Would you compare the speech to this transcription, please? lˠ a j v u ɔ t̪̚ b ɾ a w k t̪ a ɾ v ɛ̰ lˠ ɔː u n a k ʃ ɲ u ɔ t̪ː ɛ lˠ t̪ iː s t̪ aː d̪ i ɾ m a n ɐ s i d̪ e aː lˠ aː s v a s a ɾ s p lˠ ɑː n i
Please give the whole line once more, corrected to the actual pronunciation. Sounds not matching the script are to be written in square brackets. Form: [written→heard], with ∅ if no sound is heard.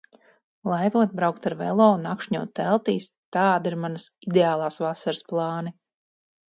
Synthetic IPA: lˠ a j v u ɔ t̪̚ b ɾ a w k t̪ a ɾ v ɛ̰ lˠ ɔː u n a k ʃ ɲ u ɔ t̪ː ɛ lˠ t̪ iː s t̪ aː d̪ i ɾ m a n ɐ s i d̪ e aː lˠ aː s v a s a ɾ s p lˠ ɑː n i